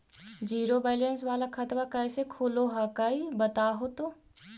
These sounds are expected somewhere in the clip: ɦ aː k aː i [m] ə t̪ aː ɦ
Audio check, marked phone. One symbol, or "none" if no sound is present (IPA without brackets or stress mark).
b